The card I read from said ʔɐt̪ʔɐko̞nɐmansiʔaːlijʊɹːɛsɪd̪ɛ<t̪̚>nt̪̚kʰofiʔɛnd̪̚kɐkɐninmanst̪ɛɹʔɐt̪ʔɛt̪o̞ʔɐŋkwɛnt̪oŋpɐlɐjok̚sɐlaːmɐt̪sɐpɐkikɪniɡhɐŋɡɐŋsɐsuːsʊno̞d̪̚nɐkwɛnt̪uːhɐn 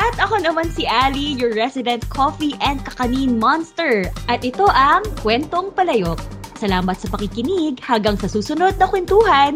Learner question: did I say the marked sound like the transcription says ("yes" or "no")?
no